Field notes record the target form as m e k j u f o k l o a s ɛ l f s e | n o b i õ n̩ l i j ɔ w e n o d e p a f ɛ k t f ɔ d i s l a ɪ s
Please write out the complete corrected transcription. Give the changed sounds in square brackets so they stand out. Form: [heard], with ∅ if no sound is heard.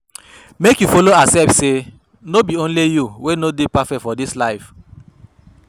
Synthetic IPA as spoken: m e k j u f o [∅] l o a s ɛ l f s e | n o b i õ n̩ l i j [u] w e n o d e p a f ɛ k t f ɔ d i s l a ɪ [f]